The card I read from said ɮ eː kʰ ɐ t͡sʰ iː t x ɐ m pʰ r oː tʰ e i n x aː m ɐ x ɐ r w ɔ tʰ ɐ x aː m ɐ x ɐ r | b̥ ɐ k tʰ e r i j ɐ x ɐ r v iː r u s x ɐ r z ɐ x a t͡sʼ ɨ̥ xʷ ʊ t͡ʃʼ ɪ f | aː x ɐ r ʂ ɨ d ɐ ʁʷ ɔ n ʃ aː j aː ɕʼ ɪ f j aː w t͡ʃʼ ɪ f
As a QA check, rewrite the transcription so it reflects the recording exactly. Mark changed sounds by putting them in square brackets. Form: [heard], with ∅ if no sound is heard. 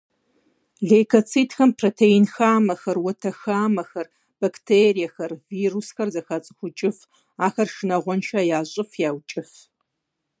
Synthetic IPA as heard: ɮ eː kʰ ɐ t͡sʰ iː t x ɐ m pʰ r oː tʰ e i n x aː m ɐ x ɐ r w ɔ tʰ ɐ x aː m ɐ x ɐ r | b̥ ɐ k tʰ e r i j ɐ x ɐ r v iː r u s x ɐ r z ɐ x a t͡sʼ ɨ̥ xʷ ʊ t͡ʃʼ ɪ f | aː x ɐ r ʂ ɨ [n] ɐ ʁʷ ɔ n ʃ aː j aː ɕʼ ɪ f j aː w t͡ʃʼ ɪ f